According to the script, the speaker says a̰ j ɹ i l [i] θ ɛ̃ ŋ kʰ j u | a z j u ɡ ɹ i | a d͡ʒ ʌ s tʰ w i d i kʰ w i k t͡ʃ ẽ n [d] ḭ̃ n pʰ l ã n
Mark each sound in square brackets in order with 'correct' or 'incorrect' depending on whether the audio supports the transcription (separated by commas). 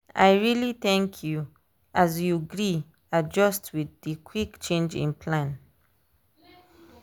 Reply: correct, incorrect